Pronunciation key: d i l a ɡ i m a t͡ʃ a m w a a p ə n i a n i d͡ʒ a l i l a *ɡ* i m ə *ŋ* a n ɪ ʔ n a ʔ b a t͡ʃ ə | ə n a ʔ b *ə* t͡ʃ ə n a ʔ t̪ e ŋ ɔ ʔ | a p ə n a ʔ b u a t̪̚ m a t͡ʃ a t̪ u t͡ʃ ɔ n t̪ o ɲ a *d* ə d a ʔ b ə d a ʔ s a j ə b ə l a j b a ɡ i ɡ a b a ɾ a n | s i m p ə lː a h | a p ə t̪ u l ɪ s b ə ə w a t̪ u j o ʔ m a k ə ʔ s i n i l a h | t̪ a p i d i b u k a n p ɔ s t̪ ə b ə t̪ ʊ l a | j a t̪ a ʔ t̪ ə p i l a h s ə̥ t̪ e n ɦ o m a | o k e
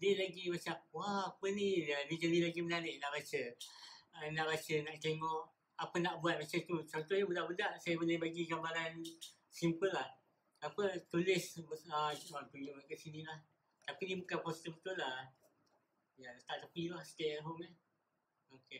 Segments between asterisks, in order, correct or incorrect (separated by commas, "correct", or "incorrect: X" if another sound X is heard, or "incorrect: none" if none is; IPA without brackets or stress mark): correct, incorrect: n, incorrect: a, incorrect: b